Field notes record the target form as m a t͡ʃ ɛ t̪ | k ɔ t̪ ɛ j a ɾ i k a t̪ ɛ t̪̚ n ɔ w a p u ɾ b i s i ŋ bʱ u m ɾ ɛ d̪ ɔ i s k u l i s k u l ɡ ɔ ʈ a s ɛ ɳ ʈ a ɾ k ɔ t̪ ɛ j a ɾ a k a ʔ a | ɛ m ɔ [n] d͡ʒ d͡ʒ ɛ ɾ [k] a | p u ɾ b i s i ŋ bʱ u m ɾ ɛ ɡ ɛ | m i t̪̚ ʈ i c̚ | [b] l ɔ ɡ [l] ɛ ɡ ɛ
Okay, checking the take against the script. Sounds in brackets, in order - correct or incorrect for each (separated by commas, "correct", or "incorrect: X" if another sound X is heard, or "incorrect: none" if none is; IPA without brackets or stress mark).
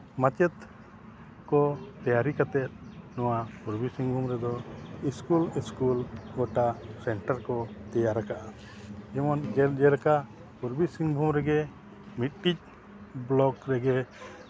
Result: correct, correct, correct, incorrect: ɾ